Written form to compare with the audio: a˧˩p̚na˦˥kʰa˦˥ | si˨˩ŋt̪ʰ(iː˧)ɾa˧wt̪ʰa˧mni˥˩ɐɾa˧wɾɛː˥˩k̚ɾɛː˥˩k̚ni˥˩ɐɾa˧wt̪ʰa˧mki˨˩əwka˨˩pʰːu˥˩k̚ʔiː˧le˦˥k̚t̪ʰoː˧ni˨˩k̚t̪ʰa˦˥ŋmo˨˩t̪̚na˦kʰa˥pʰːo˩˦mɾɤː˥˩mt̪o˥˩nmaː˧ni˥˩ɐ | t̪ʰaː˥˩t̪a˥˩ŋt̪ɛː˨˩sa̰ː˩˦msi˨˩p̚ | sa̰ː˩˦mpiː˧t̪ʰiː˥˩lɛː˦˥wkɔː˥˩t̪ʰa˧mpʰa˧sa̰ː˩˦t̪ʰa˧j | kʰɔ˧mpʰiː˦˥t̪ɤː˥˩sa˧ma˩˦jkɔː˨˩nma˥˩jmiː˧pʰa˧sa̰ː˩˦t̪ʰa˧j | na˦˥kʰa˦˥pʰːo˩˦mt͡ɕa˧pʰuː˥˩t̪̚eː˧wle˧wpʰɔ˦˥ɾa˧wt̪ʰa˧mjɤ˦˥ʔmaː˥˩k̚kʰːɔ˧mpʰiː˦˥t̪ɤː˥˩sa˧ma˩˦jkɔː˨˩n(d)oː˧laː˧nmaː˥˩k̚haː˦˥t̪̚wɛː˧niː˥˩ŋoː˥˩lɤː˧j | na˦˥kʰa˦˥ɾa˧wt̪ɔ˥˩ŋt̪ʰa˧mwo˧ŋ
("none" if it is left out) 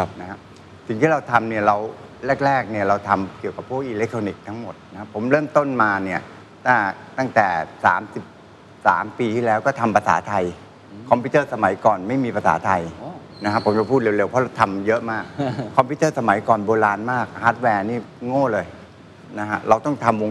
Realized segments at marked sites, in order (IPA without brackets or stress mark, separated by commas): iː˥˩, b